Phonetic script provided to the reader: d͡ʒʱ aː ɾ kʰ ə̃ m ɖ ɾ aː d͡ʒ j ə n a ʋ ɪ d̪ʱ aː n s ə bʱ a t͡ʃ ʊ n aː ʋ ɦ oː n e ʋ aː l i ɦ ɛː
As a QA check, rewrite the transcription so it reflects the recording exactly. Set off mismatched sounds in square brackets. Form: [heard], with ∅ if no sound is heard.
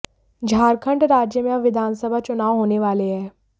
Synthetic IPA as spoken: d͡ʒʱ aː ɾ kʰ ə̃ [ɳ] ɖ ɾ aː d͡ʒ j ə [m] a ʋ ɪ d̪ʱ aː n s ə bʱ a t͡ʃ ʊ n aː ʋ ɦ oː n e ʋ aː l [e] ɦ ɛː